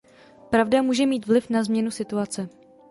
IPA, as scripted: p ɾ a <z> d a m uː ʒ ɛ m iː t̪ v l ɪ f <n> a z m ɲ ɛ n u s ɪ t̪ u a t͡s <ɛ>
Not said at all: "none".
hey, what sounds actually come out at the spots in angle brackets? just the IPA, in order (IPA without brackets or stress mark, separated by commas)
v, n, ɛ